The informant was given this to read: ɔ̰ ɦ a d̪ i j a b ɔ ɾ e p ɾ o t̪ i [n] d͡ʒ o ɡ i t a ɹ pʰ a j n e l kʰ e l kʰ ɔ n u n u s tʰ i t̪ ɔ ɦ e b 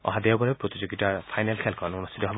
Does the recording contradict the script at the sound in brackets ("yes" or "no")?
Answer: yes